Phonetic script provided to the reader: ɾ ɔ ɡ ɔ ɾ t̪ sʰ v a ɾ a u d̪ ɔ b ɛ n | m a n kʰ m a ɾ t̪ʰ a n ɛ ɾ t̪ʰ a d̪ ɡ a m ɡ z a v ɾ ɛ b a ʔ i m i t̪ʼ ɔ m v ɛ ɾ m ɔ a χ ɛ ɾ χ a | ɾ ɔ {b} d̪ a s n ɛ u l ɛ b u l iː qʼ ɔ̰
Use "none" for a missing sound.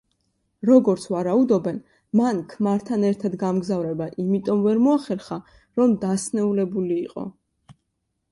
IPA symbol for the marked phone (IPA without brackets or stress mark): m